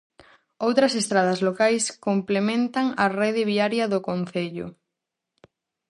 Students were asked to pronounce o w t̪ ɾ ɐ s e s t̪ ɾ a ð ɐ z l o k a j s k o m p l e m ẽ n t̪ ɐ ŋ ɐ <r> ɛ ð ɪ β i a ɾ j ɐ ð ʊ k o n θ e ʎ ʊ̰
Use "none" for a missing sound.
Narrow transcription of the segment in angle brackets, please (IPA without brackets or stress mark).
r